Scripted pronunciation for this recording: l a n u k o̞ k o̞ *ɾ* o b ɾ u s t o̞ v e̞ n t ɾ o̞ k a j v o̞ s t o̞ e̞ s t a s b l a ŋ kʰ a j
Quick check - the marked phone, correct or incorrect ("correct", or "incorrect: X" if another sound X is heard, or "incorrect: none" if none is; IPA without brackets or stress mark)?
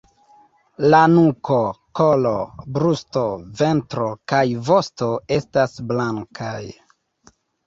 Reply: incorrect: l